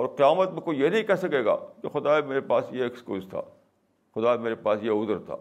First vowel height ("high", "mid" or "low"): mid